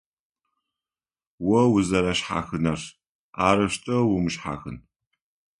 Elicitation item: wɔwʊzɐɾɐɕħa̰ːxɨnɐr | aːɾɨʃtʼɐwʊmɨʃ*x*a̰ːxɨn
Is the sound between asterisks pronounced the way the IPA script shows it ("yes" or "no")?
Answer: no